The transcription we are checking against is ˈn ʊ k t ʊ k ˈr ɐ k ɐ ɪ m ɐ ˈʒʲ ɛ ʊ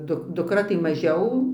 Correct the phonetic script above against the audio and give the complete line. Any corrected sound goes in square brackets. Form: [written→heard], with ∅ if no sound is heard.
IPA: [ˈn→ˈd] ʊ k [t→d] ʊ k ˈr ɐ [k→t] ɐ ɪ m ɐ ˈʒʲ ɛ ʊ